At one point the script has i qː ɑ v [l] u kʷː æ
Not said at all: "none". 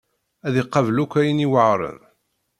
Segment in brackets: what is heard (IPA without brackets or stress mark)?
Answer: l